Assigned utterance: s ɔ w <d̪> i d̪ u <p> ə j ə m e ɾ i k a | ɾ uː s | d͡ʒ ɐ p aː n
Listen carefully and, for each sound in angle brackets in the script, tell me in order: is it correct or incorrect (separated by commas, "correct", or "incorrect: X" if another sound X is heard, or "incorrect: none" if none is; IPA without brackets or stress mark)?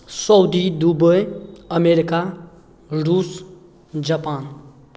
correct, incorrect: b